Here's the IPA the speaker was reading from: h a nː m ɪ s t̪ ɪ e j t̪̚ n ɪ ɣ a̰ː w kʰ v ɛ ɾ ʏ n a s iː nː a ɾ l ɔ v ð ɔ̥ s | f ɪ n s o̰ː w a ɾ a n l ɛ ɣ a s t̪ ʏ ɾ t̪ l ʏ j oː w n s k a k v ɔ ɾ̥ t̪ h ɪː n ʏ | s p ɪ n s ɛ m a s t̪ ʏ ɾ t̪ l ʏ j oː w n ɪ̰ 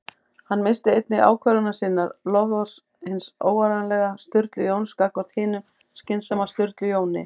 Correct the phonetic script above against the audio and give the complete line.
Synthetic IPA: h a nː m ɪ s t̪ ɪ e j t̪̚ n ɪ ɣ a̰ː w kʰ v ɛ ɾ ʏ n a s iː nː a ɾ l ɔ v ð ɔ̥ s | h ɪ n s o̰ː w a ɾ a n l ɛ ɣ a s t̪ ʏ ɾ t̪ l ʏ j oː w n s k a k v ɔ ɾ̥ t̪ h ɪː n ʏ | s c ɪ n s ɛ m a s t̪ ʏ ɾ t̪ l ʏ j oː w n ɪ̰